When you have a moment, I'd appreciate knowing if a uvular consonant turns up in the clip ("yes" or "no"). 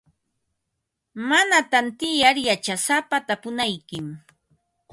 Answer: no